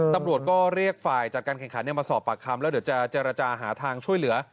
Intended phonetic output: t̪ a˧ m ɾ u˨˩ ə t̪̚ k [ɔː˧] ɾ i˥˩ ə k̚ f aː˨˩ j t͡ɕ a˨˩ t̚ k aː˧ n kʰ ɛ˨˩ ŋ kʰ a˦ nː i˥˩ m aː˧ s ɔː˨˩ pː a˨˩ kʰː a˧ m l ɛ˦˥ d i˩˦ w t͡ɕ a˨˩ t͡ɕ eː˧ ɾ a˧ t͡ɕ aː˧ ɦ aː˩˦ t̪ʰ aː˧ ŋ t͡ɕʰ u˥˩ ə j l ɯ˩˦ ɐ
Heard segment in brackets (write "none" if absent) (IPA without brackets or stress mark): ɔː˥˩